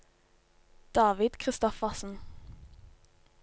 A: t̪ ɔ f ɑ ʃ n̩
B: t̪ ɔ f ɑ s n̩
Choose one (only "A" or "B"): B